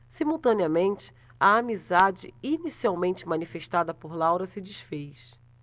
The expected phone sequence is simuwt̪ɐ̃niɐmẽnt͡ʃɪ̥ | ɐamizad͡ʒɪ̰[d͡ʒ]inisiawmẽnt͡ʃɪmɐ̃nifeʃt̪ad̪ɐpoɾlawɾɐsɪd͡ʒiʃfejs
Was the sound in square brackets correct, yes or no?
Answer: no